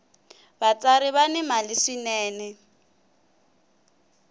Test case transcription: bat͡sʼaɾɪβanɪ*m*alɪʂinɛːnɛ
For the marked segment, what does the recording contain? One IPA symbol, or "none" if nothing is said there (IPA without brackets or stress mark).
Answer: m